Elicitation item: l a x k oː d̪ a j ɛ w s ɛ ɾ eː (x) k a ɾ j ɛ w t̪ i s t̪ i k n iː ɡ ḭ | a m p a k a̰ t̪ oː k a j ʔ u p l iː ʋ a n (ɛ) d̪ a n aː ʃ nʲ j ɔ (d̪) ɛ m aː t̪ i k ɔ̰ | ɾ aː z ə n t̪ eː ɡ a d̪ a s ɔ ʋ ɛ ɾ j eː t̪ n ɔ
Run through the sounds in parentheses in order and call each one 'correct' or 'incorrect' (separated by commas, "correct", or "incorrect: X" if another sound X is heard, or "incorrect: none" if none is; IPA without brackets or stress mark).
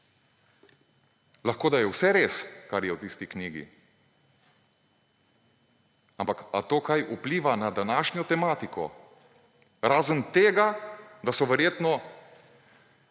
incorrect: s, incorrect: a, incorrect: t̪